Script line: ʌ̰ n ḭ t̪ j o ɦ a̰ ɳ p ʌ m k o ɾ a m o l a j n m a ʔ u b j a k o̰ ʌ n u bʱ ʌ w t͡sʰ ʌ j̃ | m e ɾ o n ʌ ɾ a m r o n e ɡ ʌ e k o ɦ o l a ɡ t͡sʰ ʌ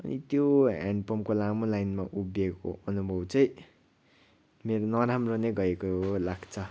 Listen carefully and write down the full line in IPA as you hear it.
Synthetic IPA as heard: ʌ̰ n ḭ t̪ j o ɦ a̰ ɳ p ʌ m k o l a m o l a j n m a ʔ u b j e k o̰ ʌ n u bʱ ʌ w t͡s ʌ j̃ | m e ɾ o n ʌ ɾ a m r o n e ɡ ʌ e k o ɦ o l a ɡ t͡sʰ ʌ